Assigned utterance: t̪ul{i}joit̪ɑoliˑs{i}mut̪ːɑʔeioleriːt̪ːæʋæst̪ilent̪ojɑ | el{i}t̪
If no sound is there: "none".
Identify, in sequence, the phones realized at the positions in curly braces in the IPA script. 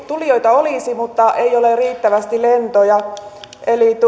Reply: i, i, i

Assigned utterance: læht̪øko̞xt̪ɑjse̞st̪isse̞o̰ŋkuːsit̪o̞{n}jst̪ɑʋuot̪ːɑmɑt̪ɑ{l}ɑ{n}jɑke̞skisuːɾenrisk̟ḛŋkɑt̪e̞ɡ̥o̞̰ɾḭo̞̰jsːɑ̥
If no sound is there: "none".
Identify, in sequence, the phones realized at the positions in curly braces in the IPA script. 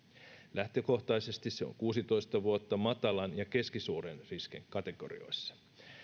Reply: none, l, n

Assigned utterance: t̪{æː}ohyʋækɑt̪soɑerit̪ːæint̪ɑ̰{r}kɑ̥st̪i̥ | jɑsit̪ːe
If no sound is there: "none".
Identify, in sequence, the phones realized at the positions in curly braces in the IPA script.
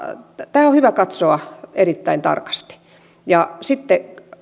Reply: æː, r

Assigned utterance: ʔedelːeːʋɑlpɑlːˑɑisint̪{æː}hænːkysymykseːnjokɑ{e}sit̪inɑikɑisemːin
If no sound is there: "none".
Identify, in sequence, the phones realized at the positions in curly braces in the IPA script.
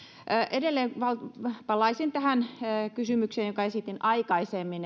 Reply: æ, e

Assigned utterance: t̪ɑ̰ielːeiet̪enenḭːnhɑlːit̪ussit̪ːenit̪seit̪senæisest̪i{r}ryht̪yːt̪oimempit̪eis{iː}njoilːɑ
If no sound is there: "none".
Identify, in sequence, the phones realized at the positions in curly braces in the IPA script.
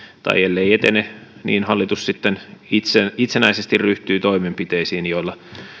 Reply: r, iː

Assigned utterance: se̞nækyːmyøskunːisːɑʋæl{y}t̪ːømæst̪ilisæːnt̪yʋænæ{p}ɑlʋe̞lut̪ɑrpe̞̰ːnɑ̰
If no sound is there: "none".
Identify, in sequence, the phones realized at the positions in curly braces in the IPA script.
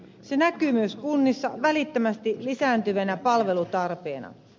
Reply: i, p

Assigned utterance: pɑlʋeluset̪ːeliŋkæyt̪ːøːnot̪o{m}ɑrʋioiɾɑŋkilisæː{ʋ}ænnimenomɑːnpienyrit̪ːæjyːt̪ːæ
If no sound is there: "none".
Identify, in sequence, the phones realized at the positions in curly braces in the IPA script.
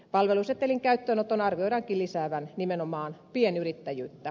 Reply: n, ʋ

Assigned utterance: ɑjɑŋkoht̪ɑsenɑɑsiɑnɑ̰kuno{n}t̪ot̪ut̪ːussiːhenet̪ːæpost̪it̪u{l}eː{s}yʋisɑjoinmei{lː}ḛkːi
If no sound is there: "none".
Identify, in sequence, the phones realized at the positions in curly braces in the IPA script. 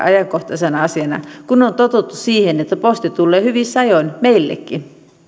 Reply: n, lː, h, lː

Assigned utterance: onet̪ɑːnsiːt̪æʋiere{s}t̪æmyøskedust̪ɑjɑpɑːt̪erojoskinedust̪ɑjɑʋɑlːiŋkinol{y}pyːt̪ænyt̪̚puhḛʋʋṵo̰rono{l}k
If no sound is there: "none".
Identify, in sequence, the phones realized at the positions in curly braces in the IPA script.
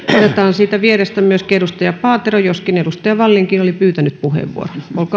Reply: s, i, l

